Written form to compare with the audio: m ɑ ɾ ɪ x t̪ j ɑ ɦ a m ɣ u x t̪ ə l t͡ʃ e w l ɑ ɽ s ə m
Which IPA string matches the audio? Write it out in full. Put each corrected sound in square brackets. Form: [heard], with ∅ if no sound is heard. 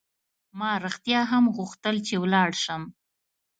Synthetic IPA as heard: m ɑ ɾ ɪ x t̪ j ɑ ɦ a m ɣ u x t̪ ə l t͡ʃ e w l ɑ ɽ [ʃ] ə m